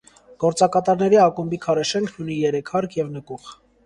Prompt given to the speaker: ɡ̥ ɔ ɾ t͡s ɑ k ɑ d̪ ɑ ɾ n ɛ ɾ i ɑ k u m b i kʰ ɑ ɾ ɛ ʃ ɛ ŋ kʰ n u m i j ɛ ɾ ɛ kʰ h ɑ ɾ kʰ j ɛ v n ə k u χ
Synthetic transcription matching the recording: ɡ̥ ɔ ɾ t͡s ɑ k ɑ t̪ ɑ ɾ n ɛ ɾ i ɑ k u m b i kʰ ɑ ɾ ɛ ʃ ɛ ŋ kʰ n u n i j ɛ ɾ ɛ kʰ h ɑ ɾ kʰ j ɛ v n ə k u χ